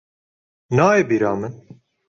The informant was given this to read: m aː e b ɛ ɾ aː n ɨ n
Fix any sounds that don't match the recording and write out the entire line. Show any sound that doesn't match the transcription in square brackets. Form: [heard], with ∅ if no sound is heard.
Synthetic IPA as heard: [n] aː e b [i] ɾ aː [m] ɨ n